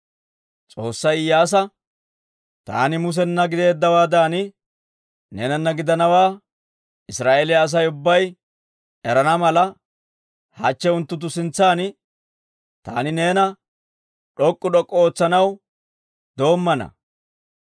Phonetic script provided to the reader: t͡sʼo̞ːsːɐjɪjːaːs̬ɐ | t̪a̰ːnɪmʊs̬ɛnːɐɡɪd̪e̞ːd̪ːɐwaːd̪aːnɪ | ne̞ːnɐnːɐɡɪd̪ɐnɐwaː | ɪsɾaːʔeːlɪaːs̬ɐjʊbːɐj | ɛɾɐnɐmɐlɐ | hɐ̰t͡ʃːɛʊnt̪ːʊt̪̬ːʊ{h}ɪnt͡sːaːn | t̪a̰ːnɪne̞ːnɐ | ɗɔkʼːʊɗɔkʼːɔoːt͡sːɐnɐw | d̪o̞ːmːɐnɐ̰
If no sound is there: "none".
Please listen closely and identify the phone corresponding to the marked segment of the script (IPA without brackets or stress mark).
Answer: s